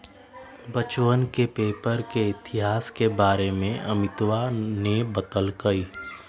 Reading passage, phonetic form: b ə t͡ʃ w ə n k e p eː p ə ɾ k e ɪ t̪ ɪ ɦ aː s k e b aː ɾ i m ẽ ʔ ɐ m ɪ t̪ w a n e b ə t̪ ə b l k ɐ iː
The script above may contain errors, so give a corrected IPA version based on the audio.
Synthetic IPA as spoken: b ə t͡ʃ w ə n k e p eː p ə ɾ k e ɪ t̪ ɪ ɦ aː s k e b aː ɾ e m ẽ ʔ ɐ m ɪ t̪ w a n e b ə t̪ ə l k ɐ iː

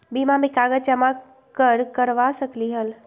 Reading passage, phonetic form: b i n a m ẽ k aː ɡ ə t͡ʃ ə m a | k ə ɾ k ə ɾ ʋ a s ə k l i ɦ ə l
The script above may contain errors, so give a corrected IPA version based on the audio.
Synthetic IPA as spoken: b i m a m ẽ k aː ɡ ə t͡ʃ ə m a | k ə ɾ k ə ɾ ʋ a s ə k l i ɦ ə l

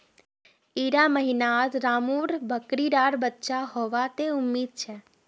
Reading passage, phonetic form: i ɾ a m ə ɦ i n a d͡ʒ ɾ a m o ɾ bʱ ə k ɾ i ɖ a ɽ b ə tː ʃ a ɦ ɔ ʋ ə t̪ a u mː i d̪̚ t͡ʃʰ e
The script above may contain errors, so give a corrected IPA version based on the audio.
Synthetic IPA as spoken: i ɾ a m ə ɦ i n a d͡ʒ ɾ a m u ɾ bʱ ə k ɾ i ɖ a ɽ b ə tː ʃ a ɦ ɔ ʋ a t̪ e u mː i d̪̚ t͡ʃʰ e

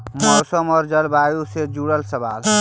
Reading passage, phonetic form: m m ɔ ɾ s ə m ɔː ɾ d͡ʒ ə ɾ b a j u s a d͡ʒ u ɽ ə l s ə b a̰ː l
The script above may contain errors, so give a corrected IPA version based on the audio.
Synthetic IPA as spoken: m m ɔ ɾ s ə m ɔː ɾ d͡ʒ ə l b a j u s e d͡ʒ u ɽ ə l s ə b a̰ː l

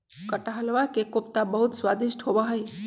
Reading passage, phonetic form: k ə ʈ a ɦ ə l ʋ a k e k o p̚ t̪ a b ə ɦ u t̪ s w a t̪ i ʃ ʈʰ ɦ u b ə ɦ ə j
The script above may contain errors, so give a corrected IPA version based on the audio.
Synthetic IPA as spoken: k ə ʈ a ɦ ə l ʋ a k e k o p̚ t̪ a b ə ɦ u t̪ s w a d̪ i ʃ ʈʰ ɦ o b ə ɦ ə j

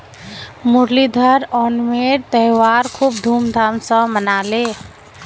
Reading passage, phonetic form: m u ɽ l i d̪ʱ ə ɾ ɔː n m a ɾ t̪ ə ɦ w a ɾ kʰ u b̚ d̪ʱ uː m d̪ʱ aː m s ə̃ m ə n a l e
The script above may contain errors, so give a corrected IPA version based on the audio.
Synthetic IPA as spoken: m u ɾ l i d̪ʱ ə ɾ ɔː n m e ɾ t̪ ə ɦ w a ɾ kʰ u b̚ d̪ʱ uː m d̪ʱ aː m s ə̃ m ə n a l e

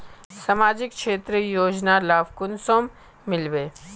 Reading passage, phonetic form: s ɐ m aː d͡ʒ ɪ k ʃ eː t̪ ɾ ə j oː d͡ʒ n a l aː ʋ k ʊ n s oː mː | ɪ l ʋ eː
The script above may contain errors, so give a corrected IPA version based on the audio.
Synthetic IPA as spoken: s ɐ m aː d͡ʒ ɪ k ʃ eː t̪ ɾ ə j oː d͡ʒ n a l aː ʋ k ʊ n s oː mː | ɪ l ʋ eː

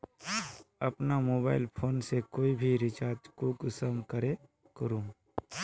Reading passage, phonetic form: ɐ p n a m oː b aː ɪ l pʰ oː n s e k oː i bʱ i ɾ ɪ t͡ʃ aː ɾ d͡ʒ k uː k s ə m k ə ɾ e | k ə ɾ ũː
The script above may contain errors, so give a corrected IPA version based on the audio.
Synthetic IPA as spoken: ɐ p n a m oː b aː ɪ l pʰ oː n s e k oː i bʱ i ɾ ɪ t͡ʃ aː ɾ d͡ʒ k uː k s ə m k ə ɾ e | k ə ɾ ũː

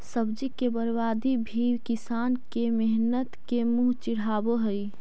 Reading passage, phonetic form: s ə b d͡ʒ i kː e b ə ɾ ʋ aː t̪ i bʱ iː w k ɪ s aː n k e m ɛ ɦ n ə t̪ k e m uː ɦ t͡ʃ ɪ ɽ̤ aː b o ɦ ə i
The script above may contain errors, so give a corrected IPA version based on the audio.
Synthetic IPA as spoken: s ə b d͡ʒ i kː e b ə ɾ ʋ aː d̪ i bʱ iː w k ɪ s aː n k e m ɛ ɦ n ə t̪ k e m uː ɦ t͡ʃ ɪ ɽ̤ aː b o ɦ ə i

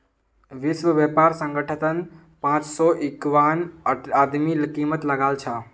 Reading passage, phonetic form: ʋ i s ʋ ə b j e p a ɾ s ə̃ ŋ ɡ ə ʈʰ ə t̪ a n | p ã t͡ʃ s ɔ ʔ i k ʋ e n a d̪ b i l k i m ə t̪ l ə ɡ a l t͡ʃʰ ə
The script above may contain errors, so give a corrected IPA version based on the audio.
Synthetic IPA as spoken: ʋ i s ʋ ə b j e p a ɾ s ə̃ ŋ ɡ ə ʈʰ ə t̪ ə n | p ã t͡ʃ s ɔ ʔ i k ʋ a n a d̪ m i l k i m ə t̪ l ə ɡ a l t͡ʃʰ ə

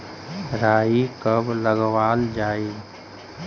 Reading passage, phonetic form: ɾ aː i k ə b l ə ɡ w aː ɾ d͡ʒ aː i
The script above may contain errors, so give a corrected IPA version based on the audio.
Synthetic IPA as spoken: ɾ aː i k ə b l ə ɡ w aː l d͡ʒ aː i

